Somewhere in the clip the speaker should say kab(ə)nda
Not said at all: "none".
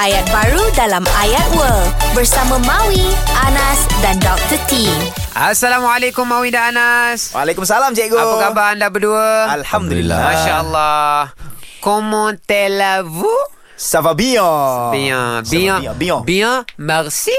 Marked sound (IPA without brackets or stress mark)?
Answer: a